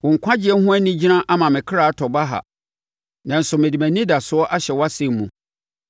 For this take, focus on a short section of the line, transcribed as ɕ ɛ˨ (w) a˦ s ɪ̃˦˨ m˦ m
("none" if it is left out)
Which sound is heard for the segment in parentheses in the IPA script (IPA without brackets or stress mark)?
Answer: w